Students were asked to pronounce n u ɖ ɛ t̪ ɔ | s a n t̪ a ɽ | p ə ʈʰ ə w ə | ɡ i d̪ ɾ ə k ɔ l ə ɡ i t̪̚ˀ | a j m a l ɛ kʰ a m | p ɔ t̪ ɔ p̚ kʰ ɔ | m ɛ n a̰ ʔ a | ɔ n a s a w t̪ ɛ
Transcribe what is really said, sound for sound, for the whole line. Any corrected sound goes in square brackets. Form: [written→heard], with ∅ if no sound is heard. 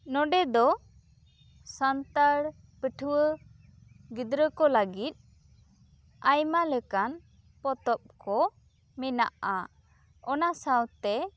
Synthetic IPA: n [u→ɔ] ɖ ɛ [t̪→d̪] ɔ | s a n t̪ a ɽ | p ə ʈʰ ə w ə | ɡ i d̪ ɾ ə k ɔ l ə ɡ i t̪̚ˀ | a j m a l ɛ [kʰ→k] a [m→n] | p ɔ t̪ ɔ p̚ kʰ ɔ | m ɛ n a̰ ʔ a | ɔ n a s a w t̪ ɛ